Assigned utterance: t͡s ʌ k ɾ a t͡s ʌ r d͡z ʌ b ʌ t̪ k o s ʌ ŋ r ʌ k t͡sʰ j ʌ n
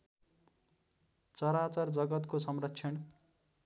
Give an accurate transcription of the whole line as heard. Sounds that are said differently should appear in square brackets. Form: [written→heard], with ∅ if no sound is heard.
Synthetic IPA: t͡s ʌ [k→∅] ɾ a t͡s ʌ r d͡z ʌ [b→ɡ] ʌ t̪ k o s ʌ [ŋ→m] r ʌ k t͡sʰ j ʌ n